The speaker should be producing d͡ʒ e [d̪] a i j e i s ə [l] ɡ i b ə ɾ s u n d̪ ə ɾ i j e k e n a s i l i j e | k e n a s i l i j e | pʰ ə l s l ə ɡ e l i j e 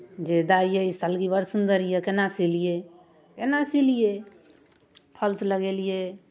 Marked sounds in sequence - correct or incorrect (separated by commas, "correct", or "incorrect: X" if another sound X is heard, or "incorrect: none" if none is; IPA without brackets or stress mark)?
correct, correct